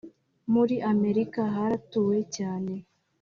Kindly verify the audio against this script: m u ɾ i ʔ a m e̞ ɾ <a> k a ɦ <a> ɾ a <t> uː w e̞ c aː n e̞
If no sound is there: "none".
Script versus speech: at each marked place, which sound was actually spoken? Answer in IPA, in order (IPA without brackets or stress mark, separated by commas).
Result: i, a, t